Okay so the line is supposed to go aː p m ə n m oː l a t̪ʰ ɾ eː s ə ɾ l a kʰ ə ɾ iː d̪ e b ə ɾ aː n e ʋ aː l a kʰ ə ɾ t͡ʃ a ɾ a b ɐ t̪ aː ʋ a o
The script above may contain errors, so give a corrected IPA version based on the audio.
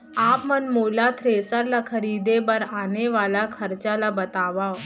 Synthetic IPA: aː p m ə n m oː l a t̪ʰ ɾ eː s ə ɾ l a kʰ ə ɾ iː d̪ e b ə ɾ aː n e ʋ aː l a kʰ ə ɾ t͡ʃ a l a b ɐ t̪ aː ʋ a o